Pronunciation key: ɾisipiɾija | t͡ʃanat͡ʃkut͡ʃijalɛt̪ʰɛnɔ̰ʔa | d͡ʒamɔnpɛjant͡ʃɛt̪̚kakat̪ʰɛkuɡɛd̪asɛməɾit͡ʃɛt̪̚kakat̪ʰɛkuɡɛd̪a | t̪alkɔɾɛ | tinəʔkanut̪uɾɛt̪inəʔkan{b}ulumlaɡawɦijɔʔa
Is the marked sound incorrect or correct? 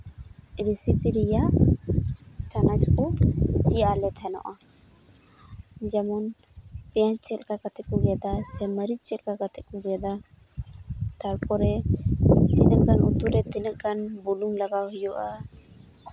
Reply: correct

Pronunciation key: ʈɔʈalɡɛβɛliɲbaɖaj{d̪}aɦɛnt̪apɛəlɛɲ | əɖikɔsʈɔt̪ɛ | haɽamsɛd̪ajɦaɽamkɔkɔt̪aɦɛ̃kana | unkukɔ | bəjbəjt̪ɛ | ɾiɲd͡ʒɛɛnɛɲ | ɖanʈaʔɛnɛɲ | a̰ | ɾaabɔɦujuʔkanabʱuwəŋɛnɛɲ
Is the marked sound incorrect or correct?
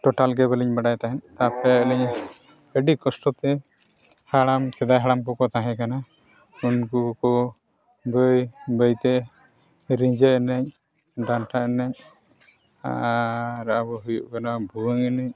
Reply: incorrect: t̪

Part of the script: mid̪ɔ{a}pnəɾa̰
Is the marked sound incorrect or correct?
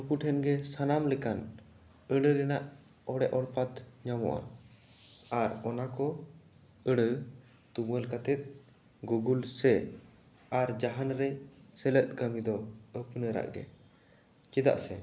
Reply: incorrect: ə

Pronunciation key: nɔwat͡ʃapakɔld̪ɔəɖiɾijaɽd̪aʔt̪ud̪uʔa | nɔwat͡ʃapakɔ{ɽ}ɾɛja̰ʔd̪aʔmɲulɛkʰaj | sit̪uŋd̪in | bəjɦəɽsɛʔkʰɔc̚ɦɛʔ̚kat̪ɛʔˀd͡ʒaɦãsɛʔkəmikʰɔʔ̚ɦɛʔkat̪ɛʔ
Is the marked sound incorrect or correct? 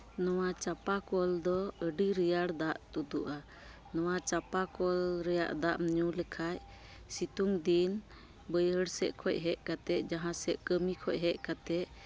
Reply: incorrect: l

